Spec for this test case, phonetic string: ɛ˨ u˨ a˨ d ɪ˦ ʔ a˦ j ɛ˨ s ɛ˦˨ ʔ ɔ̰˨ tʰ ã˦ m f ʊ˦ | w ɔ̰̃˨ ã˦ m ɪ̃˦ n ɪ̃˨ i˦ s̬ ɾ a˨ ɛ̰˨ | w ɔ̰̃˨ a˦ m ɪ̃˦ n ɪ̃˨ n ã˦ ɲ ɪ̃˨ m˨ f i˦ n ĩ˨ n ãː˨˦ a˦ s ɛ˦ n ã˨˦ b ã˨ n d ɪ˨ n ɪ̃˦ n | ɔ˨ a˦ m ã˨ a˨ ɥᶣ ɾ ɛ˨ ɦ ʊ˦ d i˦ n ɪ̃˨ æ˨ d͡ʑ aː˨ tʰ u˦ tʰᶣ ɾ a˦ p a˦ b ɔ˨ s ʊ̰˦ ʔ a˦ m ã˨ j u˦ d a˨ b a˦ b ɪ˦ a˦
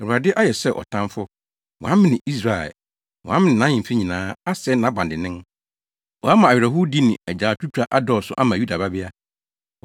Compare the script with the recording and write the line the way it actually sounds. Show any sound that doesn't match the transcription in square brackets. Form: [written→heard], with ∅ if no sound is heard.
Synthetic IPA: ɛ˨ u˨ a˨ d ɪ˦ ʔ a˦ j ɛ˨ s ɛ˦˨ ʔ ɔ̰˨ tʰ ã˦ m f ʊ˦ | w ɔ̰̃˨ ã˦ m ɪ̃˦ n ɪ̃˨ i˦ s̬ ɾ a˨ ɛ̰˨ | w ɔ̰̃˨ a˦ m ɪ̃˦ n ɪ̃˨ n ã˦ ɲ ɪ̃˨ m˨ f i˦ [n→ɲ] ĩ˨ n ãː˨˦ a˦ s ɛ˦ n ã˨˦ b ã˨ n d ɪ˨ n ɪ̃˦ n | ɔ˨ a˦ m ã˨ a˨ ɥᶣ ɾ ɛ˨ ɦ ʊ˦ d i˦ n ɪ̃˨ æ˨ d͡ʑ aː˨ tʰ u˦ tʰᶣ ɾ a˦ [p→ʔ] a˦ [b→d] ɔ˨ s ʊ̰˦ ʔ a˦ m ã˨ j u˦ d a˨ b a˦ b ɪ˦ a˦